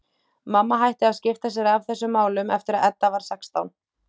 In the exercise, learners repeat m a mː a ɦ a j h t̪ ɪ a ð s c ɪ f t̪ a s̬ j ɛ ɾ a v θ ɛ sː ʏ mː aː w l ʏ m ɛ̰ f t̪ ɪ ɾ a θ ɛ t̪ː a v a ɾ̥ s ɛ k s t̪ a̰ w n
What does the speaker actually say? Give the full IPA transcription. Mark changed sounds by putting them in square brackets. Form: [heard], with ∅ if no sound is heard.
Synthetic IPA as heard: m a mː a ɦ a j h t̪ ɪ a ð s c ɪ f t̪ a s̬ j ɛ ɾ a v θ ɛ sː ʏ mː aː w l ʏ m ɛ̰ f t̪ ɪ ɾ a [ð] ɛ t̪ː a v a ɾ̥ s ɛ k s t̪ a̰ w n